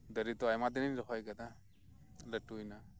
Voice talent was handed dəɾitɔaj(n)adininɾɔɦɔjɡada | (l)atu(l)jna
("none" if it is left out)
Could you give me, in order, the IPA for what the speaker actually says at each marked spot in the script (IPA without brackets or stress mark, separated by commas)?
m, l, none